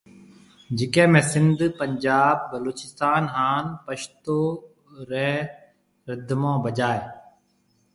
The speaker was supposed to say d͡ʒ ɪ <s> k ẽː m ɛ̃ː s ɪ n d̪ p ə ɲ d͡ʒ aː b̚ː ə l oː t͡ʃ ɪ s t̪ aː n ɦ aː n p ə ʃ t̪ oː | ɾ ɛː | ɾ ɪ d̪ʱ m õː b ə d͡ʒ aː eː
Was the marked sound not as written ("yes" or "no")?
yes